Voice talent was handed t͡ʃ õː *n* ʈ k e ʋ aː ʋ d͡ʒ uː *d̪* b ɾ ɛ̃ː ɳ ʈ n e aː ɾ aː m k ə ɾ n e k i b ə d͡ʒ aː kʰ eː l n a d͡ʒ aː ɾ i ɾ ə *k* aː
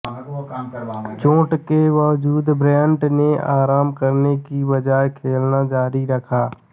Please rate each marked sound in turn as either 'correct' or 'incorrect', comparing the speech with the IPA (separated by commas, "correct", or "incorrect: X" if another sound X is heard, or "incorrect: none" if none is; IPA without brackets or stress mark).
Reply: incorrect: none, correct, incorrect: kʰ